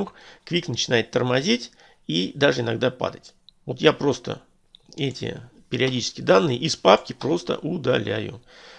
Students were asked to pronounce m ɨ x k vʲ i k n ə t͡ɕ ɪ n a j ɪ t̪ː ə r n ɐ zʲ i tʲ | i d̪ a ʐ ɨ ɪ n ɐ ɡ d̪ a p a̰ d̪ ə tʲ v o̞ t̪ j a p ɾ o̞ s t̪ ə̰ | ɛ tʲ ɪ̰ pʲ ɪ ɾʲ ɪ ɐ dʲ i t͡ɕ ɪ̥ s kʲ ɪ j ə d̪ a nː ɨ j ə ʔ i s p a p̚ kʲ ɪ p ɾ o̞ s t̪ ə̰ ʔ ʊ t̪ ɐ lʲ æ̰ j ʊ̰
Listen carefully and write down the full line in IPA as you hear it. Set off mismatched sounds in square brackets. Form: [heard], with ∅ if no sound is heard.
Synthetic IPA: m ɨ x k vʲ i k n ə t͡ɕ ɪ n a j ɪ t̪ː ə r [m] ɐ zʲ i tʲ | i d̪ a ʐ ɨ ɪ n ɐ ɡ d̪ a p a̰ d̪ ə tʲ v o̞ t̪ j a p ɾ o̞ s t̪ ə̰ | ɛ tʲ ɪ̰ pʲ ɪ ɾʲ ɪ ɐ dʲ i t͡ɕ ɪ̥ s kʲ ɪ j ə d̪ a nː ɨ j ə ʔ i s p a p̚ kʲ ɪ p ɾ o̞ s t̪ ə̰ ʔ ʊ [d̪] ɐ lʲ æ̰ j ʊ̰